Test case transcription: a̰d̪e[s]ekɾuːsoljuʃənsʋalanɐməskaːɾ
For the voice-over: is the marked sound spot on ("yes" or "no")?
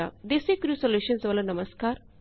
yes